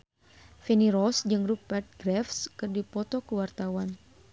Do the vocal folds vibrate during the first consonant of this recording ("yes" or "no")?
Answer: no